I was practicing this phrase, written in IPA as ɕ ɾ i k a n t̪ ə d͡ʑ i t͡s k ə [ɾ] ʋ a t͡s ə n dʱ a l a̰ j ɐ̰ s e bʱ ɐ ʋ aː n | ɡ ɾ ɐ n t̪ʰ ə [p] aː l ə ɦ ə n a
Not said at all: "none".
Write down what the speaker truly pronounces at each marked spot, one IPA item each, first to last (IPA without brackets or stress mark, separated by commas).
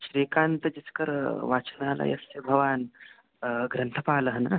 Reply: ɾ, p